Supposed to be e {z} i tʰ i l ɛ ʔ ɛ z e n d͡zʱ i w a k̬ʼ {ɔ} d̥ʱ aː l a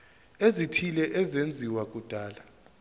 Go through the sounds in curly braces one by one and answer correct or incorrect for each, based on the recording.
correct, incorrect: u

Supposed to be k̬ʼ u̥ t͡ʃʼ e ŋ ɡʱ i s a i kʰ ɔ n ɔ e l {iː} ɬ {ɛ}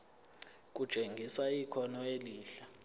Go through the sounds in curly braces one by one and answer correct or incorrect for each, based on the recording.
correct, incorrect: a

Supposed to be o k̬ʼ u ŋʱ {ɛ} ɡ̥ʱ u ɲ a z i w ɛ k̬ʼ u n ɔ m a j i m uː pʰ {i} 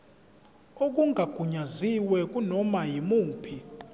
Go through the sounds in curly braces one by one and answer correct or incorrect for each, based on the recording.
incorrect: a, correct

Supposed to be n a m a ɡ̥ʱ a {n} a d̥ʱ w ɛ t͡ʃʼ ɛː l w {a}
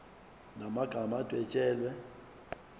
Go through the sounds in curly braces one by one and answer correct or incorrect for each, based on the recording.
incorrect: m, incorrect: ɛ

